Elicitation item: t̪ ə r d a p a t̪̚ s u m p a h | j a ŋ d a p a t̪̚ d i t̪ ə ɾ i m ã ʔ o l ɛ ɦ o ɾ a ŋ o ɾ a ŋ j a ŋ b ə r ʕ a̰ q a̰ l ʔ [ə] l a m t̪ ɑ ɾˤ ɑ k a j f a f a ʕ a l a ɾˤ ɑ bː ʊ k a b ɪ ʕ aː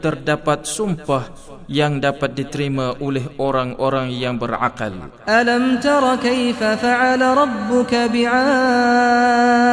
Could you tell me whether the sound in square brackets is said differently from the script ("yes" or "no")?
yes